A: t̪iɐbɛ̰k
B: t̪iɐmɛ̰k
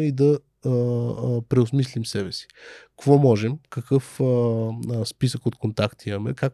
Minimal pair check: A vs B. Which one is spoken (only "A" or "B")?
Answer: B